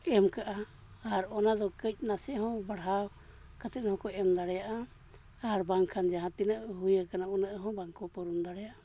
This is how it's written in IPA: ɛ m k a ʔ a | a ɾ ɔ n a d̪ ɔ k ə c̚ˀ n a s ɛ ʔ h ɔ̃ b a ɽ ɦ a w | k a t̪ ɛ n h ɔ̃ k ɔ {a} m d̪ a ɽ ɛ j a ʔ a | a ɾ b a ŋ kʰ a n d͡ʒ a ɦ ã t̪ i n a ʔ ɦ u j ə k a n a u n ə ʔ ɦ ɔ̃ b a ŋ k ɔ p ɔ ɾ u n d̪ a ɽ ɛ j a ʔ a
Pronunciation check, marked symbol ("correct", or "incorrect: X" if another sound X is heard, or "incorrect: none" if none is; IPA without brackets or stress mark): incorrect: ɛ